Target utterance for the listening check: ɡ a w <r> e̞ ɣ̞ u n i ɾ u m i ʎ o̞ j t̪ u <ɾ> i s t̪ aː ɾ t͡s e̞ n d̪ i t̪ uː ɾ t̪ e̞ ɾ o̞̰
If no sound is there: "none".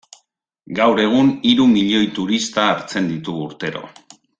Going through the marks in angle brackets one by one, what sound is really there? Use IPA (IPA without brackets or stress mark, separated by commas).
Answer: ɾ, ɾ